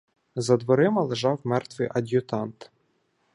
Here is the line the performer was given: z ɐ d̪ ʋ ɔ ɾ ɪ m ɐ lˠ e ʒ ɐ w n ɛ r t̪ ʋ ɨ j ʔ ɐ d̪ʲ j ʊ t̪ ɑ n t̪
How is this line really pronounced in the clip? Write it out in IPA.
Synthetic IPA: z ɐ d̪ ʋ ɔ ɾ ɪ m ɐ lˠ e ʒ ɑ w m ɛ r t̪ ʋ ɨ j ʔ ɐ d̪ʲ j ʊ t̪ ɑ n t̪

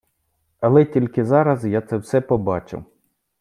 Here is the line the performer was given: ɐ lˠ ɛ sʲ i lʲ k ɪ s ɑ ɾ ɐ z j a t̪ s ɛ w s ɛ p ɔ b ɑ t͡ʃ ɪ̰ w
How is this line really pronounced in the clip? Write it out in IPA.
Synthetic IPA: ɐ lˠ ɛ tʲ i lʲ k ɪ z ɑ ɾ ɐ z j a t̪ s ɛ w s ɛ p ɔ b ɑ t͡ʃ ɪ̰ w

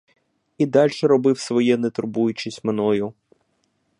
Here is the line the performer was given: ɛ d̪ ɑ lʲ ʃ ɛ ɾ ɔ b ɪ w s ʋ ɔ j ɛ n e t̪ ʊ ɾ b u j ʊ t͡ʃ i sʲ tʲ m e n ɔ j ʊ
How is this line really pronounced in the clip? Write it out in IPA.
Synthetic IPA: i d̪ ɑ lʲ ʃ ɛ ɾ ɔ b ɪ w s ʋ ɔ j ɛ n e t̪ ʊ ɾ b u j ʊ t͡ʃ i sʲ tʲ m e n ɔ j ʊ

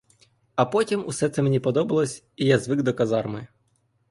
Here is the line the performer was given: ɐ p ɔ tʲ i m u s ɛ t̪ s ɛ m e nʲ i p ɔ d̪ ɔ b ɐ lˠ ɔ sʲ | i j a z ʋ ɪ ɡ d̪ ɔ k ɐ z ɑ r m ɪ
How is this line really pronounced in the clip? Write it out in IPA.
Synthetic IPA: ɐ p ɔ tʲ i m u s ɛ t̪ s ɛ m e nʲ i p ɔ d̪ ɔ b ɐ lˠ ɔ sʲ | i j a z ʋ ɪ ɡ d̪ ɔ k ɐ z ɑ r m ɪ

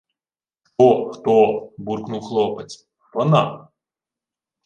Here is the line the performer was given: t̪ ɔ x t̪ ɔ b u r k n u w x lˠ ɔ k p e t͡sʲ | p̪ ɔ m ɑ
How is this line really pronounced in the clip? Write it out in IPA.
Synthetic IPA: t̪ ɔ x t̪ ɔ b u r k n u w x lˠ ɔ p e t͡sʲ | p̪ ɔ n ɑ

